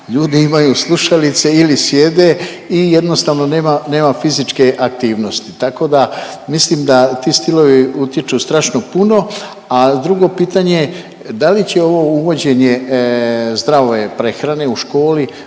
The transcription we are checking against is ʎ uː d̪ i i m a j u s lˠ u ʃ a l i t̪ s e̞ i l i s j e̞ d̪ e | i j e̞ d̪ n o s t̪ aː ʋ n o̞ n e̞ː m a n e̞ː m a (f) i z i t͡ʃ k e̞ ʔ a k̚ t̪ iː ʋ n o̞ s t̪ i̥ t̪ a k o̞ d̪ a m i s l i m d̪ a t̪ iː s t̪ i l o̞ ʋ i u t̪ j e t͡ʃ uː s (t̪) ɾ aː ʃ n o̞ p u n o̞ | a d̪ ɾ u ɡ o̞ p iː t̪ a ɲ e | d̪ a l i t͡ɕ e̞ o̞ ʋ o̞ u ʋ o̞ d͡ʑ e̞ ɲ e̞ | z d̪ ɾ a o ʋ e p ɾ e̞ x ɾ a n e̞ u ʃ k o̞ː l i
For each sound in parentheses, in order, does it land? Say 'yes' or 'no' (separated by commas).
yes, yes